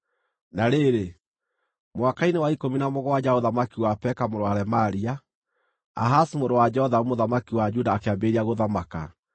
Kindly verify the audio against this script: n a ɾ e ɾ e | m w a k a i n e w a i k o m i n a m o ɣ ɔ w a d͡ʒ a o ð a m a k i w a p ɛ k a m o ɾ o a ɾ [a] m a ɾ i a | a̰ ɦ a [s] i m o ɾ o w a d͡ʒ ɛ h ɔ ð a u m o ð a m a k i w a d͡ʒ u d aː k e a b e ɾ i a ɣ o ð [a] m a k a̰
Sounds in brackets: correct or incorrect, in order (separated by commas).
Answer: incorrect, correct, correct